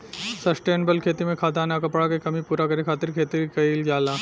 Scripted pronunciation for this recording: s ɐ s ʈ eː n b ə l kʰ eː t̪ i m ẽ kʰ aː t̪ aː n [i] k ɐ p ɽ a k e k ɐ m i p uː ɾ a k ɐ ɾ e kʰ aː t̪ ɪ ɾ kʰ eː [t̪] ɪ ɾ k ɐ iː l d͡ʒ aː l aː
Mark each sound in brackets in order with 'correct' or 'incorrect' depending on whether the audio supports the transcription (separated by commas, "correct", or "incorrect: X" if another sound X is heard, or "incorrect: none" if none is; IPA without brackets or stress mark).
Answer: incorrect: a, correct